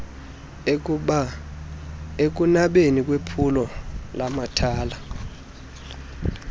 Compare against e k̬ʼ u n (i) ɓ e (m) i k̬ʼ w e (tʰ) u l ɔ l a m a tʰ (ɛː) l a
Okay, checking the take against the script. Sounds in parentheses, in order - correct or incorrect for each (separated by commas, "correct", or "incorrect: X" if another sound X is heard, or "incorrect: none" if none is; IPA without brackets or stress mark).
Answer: incorrect: a, incorrect: n, incorrect: pʰ, incorrect: aː